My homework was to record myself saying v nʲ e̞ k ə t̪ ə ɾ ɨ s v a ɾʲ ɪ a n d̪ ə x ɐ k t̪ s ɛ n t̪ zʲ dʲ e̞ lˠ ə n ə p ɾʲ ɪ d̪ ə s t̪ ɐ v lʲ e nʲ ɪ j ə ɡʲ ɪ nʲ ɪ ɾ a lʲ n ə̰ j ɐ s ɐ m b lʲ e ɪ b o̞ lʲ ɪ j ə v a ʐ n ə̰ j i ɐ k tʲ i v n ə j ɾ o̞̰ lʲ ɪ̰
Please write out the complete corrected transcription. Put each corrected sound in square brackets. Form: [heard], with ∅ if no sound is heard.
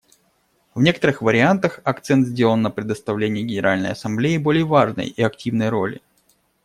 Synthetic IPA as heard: v nʲ e̞ k ə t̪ ə ɾ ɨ [x] v [ə] ɾʲ ɪ a n [t̪] ə x ɐ k t̪ s ɛ n t̪ zʲ dʲ e̞ lˠ ə [nː] ə p ɾʲ ɪ d̪ ə s t̪ ɐ v lʲ e nʲ ɪ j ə ɡʲ ɪ nʲ ɪ ɾ a lʲ n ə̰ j ɐ s ɐ m b lʲ e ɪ b o̞ lʲ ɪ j ə v a ʐ n ə̰ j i ɐ k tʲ i v n ə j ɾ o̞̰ lʲ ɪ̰

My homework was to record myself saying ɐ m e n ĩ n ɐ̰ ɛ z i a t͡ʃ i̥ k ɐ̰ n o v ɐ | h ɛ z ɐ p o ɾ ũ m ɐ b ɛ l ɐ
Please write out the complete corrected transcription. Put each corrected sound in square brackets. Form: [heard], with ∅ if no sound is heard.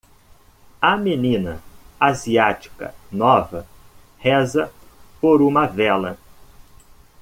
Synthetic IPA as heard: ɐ m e n ĩ n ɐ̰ [a] z i a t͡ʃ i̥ k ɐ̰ n [ɔ] v ɐ | h ɛ z ɐ p o ɾ ũ m ɐ [v] ɛ l ɐ

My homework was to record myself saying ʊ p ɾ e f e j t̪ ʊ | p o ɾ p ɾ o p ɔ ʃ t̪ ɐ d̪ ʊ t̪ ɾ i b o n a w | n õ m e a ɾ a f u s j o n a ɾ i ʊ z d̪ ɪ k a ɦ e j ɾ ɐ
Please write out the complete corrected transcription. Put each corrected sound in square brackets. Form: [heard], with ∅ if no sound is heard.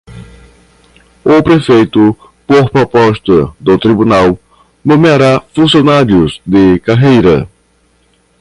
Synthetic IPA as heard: ʊ p ɾ e f e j t̪ ʊ | p o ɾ p ɾ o p ɔ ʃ t̪ ɐ d̪ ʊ t̪ ɾ i b [u] n a w | n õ m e a ɾ a f [ũ] s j o n a ɾ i ʊ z d̪ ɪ k a ɦ e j ɾ ɐ

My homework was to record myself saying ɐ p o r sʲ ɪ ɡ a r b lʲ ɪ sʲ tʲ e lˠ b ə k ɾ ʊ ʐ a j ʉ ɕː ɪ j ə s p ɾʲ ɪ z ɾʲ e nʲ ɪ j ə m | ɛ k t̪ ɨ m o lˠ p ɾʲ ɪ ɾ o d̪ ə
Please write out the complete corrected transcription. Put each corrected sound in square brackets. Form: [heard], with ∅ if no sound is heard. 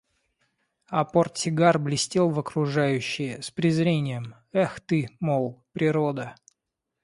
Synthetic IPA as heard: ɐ p o r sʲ ɪ ɡ a r b lʲ ɪ sʲ tʲ e lˠ [v] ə k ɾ ʊ ʐ a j ʉ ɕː ɪ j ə s p ɾʲ ɪ z ɾʲ e nʲ ɪ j ə m | ɛ [x] t̪ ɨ m o lˠ p ɾʲ ɪ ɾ o d̪ ə

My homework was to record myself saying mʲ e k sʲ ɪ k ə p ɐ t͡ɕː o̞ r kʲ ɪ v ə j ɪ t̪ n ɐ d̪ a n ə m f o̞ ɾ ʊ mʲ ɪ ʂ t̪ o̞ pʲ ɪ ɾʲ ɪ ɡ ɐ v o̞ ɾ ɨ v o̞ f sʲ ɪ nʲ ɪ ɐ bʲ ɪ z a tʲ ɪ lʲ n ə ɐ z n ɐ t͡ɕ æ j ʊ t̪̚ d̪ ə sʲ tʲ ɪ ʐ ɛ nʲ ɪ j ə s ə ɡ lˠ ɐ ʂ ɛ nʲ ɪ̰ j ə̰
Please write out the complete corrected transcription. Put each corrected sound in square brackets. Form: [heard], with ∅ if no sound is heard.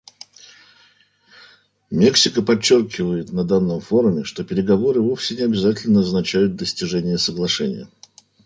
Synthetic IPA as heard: mʲ e k sʲ ɪ k ə p ɐ t͡ɕː o̞ r kʲ ɪ v ə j ɪ t̪ n ɐ d̪ a [nː] ə m f o̞ ɾ ʊ mʲ ɪ ʂ t̪ o̞ pʲ ɪ ɾʲ ɪ ɡ ɐ v o̞ ɾ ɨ v o̞ f sʲ ɪ nʲ ɪ ɐ bʲ ɪ z a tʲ ɪ lʲ n ə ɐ z n ɐ t͡ɕ æ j ʊ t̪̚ d̪ ə sʲ tʲ ɪ ʐ ɛ nʲ ɪ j ə s ə ɡ lˠ ɐ ʂ ɛ nʲ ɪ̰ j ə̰

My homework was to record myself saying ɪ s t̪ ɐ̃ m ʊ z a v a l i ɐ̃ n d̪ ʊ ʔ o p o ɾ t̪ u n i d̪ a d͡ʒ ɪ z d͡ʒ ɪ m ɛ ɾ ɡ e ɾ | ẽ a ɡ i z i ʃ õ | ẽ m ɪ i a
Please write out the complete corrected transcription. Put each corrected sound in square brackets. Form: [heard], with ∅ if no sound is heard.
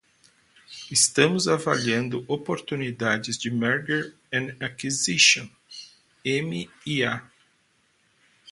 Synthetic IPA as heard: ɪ s t̪ ɐ̃ m ʊ z a v a l i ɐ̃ n d̪ ʊ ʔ o p o ɾ t̪ u n i d̪ a d͡ʒ ɪ z d͡ʒ ɪ m ɛ ɾ ɡ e ɾ | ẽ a [k] i z i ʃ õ | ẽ m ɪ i a

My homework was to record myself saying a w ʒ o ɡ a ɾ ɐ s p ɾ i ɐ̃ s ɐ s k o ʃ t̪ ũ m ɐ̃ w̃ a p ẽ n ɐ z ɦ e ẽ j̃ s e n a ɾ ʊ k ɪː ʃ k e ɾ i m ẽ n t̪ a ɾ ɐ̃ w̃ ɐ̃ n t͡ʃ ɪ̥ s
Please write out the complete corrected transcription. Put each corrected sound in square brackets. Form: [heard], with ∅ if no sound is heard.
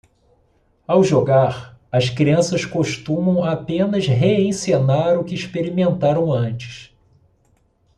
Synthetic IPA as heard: a w ʒ o ɡ a ɾ ɐ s [k] ɾ i ɐ̃ s ɐ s k o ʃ t̪ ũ m ɐ̃ w̃ a p ẽ n ɐ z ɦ e ẽ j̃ s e n a ɾ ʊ k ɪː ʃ [p] e ɾ i m ẽ n t̪ a ɾ ɐ̃ w̃ ɐ̃ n t͡ʃ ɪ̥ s

